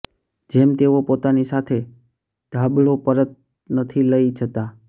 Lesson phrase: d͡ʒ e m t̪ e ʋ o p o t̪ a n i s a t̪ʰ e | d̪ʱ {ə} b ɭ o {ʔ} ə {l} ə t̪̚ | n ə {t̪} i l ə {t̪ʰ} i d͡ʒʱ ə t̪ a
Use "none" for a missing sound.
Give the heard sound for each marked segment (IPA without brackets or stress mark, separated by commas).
a, p, ɾ, t̪ʰ, none